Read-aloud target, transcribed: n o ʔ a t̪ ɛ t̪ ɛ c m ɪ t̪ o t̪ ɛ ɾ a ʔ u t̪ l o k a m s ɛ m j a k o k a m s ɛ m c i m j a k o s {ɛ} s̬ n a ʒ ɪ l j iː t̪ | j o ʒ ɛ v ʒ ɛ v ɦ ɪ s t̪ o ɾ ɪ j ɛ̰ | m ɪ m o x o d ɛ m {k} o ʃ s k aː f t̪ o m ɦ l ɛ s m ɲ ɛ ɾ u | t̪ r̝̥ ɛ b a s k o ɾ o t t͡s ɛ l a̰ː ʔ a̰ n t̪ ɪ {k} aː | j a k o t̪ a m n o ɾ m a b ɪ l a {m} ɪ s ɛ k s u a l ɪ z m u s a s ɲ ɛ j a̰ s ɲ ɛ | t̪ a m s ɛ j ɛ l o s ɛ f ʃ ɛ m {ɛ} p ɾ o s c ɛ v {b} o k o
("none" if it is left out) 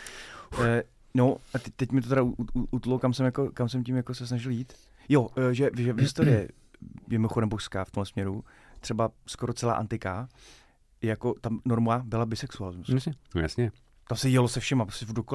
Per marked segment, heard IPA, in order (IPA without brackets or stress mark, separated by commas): ɛ, p, k, b, a, d